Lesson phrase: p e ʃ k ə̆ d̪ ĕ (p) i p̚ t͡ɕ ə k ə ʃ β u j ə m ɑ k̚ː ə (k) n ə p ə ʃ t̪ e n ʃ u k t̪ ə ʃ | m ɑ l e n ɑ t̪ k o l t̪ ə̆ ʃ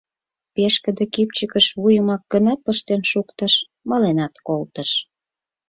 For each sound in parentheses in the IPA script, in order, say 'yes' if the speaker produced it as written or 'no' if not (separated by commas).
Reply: no, no